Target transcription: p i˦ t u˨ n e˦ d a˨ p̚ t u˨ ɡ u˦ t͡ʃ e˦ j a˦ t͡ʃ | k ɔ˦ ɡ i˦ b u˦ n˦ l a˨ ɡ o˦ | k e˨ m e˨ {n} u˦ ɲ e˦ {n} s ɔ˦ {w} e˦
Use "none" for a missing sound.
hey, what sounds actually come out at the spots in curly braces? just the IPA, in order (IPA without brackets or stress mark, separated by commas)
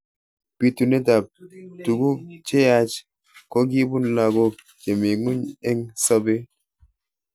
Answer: ŋ, ŋ, b